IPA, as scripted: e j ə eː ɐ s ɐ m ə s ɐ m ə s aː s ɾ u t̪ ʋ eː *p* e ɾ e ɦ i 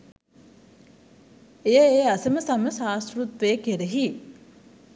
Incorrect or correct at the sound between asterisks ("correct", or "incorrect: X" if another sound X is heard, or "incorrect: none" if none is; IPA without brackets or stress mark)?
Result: incorrect: k